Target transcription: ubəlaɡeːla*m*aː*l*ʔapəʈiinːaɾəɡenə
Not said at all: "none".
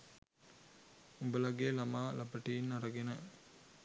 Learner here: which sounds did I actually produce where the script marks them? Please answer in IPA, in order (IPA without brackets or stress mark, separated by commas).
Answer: m, l